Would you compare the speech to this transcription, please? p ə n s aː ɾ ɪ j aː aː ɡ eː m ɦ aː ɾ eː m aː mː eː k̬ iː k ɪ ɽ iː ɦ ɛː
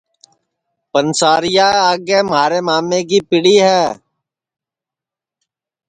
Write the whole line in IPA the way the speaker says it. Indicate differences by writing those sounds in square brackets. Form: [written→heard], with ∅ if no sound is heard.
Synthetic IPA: p ə n s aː ɾ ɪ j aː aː ɡ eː m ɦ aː ɾ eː m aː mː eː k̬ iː [k→p] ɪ ɽ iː ɦ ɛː